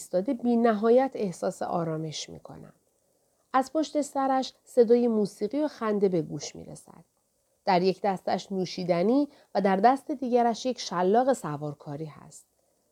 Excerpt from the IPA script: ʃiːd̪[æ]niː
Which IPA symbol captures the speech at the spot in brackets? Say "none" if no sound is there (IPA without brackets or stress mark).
æ